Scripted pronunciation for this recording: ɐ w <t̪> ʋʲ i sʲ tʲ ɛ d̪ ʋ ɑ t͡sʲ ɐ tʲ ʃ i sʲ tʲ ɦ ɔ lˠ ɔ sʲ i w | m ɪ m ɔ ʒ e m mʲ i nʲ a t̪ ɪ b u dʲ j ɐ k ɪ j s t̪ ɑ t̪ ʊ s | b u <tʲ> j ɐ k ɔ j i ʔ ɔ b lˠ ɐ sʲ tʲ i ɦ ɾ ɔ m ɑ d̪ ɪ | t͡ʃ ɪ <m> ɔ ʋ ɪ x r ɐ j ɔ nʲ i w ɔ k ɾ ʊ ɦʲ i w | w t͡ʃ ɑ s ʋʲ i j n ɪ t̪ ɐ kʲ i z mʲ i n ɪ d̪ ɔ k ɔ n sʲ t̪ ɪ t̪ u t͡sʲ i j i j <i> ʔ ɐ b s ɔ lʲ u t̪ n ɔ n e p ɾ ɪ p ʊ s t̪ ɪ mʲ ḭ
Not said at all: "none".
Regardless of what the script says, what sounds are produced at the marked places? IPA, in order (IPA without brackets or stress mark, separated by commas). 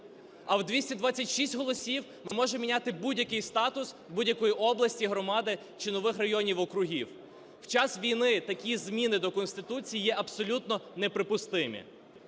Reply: d̪, dʲ, n, ɛ